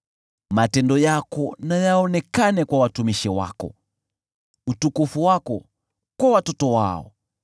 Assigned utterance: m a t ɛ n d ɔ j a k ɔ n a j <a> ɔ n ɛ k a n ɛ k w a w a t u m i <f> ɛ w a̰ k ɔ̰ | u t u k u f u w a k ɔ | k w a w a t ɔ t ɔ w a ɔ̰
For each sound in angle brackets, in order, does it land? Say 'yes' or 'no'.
yes, no

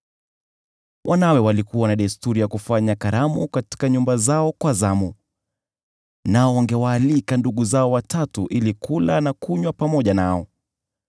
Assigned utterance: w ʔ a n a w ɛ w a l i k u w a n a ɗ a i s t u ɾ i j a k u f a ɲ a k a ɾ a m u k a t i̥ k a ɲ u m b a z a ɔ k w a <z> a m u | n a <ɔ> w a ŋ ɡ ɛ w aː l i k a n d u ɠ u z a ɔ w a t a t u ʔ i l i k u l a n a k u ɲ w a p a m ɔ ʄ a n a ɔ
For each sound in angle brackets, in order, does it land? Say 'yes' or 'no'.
yes, yes

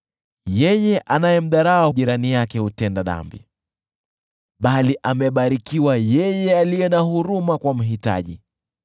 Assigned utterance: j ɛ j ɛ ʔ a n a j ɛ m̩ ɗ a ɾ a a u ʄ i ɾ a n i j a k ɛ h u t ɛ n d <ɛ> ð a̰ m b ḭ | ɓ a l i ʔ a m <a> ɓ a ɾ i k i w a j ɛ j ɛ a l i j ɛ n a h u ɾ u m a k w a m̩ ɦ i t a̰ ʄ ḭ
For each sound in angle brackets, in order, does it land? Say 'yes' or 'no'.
no, no

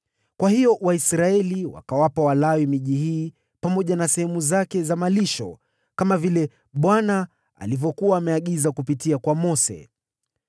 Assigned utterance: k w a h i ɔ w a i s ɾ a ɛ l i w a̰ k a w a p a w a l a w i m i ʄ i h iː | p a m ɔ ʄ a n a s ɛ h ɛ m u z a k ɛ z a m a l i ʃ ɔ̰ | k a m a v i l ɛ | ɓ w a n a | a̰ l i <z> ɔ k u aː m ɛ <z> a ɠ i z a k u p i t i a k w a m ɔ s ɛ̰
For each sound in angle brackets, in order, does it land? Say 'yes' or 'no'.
no, no

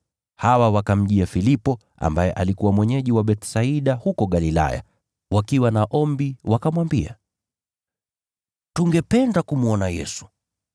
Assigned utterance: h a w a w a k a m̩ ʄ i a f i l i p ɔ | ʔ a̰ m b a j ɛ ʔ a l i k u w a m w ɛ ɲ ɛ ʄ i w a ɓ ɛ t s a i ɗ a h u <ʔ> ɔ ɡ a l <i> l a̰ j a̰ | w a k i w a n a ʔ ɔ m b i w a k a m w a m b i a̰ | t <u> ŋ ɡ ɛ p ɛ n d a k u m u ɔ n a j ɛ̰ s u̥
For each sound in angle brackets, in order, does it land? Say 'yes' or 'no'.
no, yes, yes

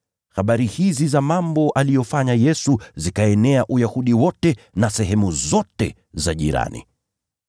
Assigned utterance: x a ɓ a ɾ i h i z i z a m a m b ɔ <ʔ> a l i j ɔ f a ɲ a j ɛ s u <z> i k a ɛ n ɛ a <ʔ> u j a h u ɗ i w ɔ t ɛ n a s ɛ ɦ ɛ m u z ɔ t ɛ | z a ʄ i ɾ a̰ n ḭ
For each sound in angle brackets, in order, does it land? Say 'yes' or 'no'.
yes, yes, yes

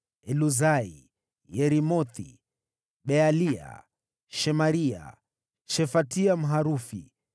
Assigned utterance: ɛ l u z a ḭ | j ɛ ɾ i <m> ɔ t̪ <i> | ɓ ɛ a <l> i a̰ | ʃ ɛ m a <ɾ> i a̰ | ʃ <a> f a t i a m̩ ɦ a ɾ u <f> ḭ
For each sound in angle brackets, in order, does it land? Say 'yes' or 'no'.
yes, yes, yes, yes, no, yes

